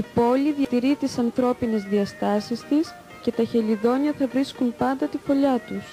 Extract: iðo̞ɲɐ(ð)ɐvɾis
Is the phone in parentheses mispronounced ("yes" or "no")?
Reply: yes